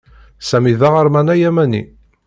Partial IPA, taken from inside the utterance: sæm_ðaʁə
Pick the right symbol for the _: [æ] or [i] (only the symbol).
i